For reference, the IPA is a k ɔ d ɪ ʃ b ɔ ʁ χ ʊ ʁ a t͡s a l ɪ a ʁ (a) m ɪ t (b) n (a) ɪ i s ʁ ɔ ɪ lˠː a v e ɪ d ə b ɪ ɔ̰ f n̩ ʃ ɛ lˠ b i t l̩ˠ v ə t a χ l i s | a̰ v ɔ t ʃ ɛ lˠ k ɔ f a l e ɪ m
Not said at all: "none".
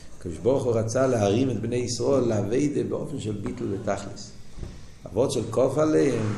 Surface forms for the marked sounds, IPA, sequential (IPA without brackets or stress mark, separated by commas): i, b, e